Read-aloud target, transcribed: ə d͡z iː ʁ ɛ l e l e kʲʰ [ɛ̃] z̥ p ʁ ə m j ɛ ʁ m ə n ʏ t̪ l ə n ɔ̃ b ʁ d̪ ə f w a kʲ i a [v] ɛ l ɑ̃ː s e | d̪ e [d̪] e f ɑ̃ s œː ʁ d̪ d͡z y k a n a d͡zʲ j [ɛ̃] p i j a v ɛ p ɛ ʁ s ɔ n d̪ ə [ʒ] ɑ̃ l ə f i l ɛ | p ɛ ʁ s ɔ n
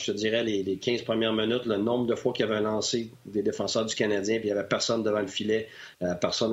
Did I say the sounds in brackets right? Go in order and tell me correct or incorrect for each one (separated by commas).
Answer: correct, correct, correct, correct, incorrect